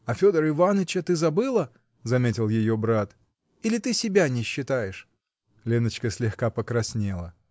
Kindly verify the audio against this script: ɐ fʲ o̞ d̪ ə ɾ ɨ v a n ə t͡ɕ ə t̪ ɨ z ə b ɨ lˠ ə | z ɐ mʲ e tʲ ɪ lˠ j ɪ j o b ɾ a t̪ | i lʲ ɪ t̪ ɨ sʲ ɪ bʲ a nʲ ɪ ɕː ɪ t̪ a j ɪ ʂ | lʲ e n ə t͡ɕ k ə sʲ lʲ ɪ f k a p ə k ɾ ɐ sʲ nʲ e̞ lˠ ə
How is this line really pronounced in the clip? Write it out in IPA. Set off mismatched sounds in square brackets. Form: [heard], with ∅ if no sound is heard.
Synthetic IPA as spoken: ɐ fʲ o̞ d̪ ə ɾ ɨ v a n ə t͡ɕ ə t̪ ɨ z [ɐ] b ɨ lˠ ə | z ɐ mʲ e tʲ ɪ lˠ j ɪ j o b ɾ a t̪ | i lʲ ɪ t̪ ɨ sʲ ɪ bʲ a nʲ ɪ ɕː ɪ t̪ a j ɪ ʂ | lʲ e n ə t͡ɕ k ə sʲ lʲ ɪ [x] k a p ə k ɾ ɐ sʲ nʲ e̞ lˠ ə